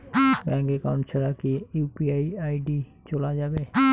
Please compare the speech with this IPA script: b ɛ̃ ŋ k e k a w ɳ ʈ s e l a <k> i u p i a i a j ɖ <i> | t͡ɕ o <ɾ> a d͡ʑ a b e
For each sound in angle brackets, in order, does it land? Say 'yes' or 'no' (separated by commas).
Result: yes, yes, no